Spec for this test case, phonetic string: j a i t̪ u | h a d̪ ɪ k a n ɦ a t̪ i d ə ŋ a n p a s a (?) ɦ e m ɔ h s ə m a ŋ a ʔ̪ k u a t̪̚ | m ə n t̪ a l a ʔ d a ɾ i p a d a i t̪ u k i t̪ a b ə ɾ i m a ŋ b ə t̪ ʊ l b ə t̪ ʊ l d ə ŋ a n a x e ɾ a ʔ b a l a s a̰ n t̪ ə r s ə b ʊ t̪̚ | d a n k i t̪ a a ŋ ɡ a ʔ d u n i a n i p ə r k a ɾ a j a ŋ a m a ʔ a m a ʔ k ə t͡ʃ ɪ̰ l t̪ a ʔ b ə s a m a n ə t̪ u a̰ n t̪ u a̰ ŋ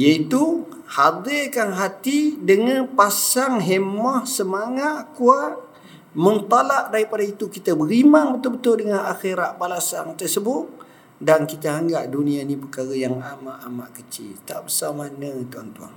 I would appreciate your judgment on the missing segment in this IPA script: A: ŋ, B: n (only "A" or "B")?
A